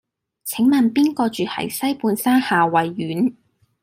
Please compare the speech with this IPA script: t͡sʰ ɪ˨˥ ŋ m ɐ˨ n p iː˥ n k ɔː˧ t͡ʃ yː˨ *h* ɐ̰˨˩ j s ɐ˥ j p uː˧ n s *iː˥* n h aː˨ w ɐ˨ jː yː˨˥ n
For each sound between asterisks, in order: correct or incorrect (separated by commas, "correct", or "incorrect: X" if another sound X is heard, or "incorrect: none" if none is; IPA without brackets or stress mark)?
correct, incorrect: aː˥